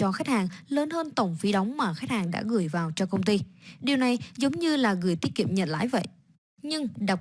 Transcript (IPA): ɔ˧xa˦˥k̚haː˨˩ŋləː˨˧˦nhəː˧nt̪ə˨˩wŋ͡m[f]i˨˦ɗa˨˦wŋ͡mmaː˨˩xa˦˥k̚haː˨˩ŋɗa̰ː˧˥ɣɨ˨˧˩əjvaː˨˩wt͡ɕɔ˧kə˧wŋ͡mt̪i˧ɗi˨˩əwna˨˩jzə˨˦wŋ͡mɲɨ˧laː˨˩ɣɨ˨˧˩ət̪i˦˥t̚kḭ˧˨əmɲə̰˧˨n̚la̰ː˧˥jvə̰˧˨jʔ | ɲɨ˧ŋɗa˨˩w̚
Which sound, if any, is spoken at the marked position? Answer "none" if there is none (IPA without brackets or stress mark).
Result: f